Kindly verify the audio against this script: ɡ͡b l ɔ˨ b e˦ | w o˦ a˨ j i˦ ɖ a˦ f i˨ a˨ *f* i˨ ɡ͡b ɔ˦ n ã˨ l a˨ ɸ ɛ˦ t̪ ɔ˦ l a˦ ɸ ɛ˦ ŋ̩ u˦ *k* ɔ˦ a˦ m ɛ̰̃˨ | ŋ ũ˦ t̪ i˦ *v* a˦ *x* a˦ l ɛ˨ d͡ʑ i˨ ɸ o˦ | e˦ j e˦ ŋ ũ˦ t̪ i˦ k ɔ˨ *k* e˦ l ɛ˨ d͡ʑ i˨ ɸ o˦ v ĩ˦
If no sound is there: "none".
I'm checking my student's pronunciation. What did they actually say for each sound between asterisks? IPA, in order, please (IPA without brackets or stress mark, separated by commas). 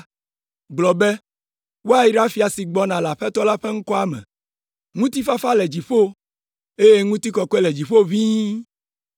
s, k, f, f, k